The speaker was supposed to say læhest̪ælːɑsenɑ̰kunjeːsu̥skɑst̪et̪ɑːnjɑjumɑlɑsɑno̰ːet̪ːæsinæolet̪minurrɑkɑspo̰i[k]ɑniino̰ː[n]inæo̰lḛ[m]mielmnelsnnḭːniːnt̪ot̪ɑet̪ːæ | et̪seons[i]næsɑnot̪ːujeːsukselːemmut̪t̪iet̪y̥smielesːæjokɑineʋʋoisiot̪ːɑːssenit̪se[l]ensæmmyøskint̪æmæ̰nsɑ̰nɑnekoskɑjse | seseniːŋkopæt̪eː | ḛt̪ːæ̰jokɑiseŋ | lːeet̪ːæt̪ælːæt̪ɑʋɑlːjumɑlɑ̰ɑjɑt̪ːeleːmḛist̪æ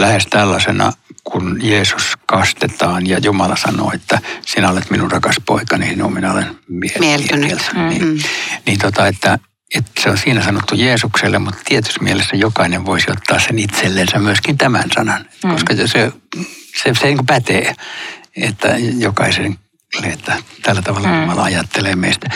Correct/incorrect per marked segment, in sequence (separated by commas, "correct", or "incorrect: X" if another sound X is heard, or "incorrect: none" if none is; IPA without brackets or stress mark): correct, incorrect: m, incorrect: n, incorrect: iː, incorrect: lː